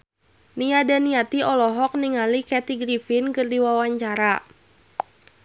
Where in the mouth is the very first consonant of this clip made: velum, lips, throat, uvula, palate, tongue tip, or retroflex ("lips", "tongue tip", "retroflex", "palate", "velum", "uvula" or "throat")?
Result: tongue tip